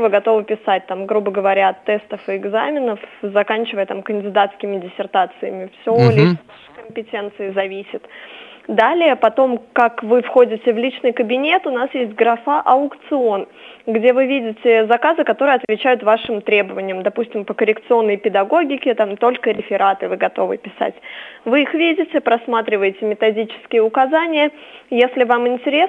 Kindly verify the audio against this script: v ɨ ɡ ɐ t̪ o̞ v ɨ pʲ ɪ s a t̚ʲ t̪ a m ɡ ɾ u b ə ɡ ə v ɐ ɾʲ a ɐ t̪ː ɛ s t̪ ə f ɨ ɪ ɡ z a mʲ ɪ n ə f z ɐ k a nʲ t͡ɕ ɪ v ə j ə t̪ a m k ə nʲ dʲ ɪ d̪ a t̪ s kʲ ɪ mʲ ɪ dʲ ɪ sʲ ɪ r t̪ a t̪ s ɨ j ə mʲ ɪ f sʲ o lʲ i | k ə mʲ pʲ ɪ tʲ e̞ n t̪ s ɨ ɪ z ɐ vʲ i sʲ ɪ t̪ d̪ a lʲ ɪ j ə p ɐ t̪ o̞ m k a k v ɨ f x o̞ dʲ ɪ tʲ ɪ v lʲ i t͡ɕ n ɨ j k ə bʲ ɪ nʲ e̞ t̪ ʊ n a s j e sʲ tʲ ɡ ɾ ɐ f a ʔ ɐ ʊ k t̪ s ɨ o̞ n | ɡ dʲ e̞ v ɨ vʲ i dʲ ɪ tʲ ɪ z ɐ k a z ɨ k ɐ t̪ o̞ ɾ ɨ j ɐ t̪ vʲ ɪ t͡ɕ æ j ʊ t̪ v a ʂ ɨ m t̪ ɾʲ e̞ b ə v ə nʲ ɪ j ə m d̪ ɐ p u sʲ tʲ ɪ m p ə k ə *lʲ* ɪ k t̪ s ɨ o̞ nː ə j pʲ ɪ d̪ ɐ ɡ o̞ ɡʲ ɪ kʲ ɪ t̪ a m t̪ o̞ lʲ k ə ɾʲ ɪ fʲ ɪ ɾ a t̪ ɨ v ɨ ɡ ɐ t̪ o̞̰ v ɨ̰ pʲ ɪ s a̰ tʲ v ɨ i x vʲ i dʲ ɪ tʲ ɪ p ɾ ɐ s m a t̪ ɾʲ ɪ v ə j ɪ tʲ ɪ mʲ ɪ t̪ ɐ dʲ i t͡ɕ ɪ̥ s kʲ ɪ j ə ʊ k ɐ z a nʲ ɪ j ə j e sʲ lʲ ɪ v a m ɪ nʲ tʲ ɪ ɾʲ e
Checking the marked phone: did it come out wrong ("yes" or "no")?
yes